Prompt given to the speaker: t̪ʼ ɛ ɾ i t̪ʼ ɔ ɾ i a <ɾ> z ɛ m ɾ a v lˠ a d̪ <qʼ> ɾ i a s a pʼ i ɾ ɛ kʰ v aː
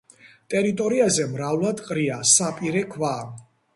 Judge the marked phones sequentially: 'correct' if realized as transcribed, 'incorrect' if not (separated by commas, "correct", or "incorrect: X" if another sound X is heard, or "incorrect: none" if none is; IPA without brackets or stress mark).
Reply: incorrect: none, correct